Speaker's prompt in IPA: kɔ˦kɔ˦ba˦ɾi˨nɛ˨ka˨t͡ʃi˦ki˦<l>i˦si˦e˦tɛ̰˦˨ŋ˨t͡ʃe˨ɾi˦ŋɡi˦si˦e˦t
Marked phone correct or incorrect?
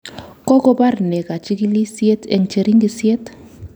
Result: correct